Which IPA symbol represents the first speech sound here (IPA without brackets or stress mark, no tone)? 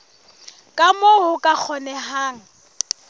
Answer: kʼ